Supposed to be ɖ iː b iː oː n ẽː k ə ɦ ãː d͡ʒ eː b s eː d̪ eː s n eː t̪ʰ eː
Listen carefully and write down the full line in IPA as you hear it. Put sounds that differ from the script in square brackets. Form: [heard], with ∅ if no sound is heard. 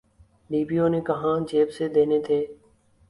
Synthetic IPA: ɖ iː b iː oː n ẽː k ə ɦ ãː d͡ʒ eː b s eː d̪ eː [∅] n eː t̪ʰ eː

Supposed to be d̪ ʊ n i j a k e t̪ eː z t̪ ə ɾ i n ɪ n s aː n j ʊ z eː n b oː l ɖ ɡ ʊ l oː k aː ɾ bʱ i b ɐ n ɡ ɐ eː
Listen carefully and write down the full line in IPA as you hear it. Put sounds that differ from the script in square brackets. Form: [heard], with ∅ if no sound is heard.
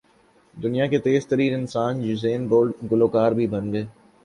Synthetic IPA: d̪ ʊ n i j a k e t̪ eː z t̪ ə ɾ [iː] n ɪ n s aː n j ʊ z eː n b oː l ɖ ɡ ʊ l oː k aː ɾ bʱ i b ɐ n ɡ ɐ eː

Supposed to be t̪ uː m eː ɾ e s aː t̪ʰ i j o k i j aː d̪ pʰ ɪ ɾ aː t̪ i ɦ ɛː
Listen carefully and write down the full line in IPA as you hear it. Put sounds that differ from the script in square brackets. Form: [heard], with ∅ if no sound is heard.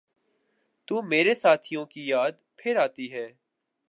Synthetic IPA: t̪ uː m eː ɾ e s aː t̪ʰ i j [õ] k i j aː d̪ pʰ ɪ ɾ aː t̪ i ɦ ɛː

